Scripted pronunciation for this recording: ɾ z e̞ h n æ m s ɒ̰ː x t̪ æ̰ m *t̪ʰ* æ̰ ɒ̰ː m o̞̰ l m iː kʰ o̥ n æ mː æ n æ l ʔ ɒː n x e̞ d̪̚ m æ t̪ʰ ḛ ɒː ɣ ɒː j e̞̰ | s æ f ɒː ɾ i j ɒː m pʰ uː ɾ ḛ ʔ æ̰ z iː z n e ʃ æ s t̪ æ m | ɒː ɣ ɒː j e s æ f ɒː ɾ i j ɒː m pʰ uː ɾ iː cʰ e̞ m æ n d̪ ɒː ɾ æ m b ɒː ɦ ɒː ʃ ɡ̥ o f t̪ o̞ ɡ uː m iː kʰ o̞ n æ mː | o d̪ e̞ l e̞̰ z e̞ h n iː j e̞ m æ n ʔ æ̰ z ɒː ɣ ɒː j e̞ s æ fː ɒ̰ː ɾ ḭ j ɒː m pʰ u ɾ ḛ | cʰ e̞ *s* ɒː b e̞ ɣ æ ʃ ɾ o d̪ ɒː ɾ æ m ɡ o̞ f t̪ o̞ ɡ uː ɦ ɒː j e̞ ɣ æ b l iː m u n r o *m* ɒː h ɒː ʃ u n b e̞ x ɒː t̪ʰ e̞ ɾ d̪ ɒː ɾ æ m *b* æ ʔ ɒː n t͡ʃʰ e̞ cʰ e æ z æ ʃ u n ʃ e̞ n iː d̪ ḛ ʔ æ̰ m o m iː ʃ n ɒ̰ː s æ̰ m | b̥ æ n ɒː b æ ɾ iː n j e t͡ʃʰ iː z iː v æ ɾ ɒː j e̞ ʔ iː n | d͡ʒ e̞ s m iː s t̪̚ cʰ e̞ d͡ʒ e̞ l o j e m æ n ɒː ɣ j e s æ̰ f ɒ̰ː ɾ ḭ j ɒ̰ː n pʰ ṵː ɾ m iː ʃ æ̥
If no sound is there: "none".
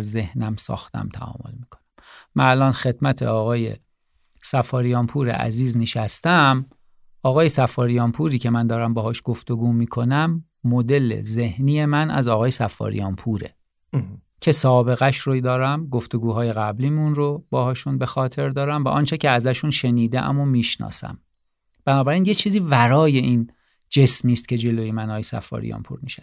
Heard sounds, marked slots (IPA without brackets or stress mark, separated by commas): t̪ʰ, s, b, v